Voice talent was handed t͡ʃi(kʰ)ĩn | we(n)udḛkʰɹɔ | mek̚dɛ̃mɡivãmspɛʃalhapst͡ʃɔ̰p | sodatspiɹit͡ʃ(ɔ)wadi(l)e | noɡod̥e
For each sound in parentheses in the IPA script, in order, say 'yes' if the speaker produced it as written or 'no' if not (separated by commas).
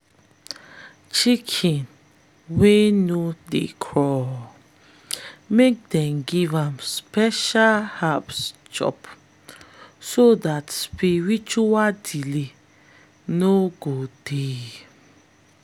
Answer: yes, yes, no, yes